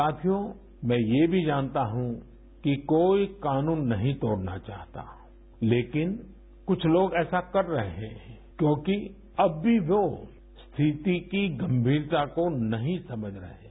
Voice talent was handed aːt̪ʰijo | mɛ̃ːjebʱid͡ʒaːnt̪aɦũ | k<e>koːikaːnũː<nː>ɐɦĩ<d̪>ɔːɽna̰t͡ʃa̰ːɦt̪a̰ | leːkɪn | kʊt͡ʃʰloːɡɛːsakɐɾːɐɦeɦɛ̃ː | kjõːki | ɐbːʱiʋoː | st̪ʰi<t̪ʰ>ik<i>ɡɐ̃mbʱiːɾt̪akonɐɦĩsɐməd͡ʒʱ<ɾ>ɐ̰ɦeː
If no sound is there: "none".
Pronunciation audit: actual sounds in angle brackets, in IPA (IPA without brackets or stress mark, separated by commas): i, nː, t̪, t̪, i, ɾ